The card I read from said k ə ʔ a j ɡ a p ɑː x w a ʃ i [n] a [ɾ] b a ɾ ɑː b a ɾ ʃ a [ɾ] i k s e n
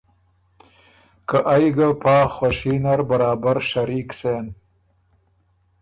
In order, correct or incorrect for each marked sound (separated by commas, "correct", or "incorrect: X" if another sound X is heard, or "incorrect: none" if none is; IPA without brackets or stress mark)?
correct, correct, correct